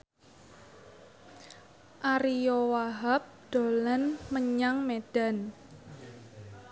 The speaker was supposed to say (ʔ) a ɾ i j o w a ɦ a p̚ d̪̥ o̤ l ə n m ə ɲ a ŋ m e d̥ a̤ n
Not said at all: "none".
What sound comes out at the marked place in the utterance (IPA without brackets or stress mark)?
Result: ʔ